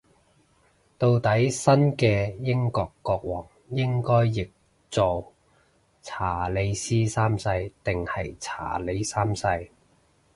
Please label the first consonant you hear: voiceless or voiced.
voiceless